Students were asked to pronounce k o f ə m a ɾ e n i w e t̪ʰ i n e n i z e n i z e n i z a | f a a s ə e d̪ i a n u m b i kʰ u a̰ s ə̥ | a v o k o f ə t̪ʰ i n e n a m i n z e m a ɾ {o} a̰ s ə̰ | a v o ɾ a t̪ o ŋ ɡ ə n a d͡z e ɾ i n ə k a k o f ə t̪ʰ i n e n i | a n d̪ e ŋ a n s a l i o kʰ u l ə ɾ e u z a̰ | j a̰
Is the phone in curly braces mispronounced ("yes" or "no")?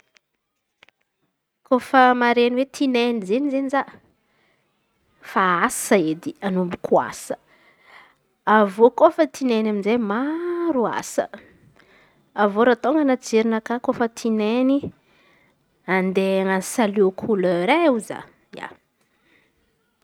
yes